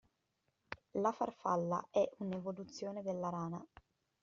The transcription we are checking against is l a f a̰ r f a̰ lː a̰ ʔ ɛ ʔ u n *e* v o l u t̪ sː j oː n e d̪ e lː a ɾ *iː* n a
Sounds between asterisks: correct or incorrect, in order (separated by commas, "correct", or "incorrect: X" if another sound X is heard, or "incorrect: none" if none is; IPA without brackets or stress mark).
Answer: correct, incorrect: aː